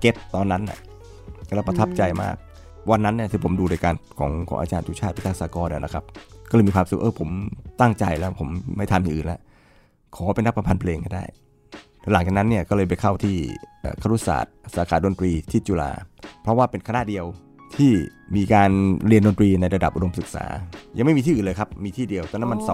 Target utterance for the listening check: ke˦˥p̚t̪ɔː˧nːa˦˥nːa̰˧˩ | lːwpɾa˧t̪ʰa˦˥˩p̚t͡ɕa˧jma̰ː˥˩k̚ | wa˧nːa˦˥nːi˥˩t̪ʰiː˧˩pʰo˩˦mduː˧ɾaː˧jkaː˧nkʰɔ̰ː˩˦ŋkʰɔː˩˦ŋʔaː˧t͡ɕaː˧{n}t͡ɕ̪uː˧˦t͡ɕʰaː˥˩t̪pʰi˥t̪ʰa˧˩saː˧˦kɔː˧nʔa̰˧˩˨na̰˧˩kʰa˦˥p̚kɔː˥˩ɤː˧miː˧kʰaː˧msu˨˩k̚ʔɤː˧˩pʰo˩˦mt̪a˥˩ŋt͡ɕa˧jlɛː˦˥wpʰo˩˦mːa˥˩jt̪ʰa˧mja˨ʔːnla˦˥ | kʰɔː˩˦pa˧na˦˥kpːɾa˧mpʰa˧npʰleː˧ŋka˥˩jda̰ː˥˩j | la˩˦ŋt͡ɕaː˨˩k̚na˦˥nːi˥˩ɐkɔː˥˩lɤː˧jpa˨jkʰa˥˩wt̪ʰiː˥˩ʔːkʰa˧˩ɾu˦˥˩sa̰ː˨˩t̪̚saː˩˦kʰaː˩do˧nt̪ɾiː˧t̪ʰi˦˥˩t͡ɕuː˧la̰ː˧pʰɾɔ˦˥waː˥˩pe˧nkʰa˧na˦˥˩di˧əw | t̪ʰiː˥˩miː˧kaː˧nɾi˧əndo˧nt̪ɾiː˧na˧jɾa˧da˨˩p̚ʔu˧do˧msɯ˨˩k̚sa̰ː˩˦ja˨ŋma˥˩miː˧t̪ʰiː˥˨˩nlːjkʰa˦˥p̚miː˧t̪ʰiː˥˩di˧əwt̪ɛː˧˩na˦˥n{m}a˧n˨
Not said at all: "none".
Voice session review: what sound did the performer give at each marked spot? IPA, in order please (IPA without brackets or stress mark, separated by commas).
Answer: n, m